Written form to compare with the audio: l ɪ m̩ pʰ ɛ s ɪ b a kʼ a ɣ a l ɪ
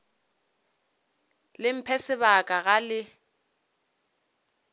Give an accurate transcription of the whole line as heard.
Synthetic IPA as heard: l ɪ m̩ pʰ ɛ s ɪ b a kʼ a ɣ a l ɪ